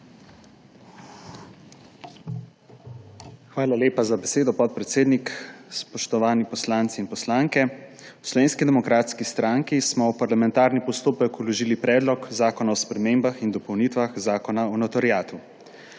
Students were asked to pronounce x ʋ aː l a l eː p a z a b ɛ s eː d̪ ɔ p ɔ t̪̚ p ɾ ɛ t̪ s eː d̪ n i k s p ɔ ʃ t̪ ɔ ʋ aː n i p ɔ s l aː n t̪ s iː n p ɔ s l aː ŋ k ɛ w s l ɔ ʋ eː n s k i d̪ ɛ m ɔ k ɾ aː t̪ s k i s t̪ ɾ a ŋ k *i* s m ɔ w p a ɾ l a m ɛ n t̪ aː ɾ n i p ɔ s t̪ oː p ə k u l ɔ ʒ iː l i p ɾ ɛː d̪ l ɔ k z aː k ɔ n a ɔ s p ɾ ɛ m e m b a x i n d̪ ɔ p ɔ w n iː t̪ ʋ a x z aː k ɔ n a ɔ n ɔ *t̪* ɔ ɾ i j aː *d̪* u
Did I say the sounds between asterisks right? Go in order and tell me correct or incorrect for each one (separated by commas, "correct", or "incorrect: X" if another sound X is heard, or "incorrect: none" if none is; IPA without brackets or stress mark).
correct, correct, incorrect: t̪